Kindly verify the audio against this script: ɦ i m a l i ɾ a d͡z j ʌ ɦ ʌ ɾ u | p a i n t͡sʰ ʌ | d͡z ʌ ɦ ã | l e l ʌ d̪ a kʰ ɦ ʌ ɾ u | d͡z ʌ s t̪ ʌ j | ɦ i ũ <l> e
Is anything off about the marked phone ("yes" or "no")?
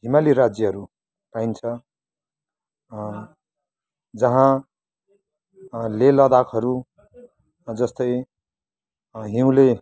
no